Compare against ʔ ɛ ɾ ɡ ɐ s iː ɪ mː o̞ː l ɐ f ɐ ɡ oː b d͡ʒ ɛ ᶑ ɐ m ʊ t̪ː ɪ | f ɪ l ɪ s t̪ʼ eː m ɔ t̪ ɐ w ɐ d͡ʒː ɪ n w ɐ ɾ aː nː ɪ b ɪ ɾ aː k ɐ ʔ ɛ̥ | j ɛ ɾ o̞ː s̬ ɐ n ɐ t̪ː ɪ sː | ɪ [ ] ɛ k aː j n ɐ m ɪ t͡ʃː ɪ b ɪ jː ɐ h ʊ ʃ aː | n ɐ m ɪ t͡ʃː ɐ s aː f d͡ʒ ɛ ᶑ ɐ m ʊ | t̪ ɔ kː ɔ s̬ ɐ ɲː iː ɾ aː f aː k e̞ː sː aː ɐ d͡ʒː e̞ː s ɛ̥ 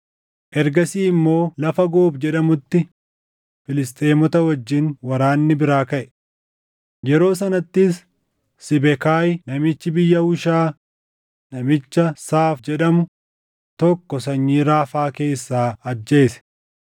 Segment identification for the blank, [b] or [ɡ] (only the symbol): b